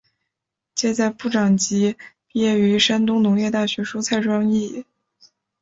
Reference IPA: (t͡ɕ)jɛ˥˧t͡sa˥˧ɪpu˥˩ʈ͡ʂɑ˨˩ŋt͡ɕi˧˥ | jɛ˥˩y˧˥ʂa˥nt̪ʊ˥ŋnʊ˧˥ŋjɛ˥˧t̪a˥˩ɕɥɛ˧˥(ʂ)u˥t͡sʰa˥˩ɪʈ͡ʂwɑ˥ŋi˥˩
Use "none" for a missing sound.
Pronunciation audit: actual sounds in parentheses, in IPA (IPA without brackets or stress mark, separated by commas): t͡ɕ, ʂ